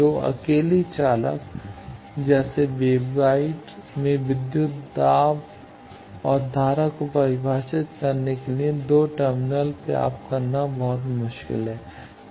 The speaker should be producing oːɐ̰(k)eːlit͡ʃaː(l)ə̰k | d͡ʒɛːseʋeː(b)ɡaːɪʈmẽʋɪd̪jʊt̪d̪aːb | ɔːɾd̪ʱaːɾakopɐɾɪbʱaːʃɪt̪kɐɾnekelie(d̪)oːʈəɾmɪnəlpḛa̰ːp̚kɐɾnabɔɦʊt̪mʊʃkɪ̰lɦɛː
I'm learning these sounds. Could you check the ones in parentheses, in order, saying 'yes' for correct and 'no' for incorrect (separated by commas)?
yes, yes, yes, yes